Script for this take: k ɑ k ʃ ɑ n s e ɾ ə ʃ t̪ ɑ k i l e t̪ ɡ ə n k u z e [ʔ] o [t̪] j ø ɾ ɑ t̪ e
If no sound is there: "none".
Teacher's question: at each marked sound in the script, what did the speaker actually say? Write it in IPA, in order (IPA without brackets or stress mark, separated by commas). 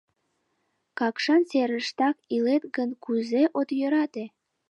ʔ, t̪